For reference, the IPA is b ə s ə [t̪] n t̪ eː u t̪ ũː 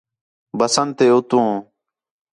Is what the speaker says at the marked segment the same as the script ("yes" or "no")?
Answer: no